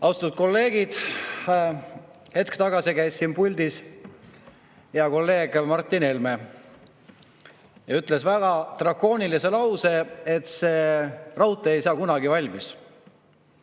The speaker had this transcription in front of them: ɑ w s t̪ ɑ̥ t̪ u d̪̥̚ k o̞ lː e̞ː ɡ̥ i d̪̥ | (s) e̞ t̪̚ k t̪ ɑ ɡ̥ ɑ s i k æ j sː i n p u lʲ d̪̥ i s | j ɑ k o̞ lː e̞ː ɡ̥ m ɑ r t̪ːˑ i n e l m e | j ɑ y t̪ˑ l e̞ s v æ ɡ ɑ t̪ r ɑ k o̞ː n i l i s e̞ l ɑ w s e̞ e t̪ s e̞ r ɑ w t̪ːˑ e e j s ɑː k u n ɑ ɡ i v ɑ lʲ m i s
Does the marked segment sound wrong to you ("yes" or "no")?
yes